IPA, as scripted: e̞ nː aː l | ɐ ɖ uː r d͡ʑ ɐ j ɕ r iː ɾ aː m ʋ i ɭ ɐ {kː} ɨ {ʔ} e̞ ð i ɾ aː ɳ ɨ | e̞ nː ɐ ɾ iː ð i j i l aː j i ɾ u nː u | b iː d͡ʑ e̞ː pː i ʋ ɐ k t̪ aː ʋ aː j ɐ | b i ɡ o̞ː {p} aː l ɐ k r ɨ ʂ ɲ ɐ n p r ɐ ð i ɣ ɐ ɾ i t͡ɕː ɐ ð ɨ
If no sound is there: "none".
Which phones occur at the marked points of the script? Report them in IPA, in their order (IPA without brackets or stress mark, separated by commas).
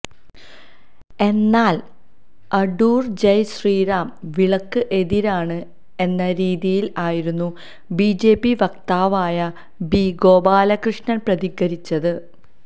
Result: kː, ʔ, b